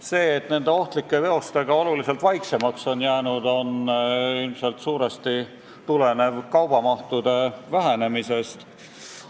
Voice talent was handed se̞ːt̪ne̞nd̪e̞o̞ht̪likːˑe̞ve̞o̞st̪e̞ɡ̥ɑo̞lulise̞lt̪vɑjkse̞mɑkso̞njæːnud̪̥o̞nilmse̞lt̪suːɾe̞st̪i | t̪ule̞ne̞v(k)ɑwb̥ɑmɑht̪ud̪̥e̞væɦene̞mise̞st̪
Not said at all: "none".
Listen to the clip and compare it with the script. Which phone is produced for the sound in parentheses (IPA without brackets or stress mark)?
k